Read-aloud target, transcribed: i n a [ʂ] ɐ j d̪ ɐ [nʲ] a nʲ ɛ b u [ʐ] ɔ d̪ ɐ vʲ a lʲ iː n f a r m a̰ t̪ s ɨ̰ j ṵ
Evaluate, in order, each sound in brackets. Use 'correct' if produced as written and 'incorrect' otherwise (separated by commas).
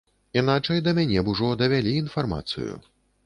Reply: incorrect, incorrect, correct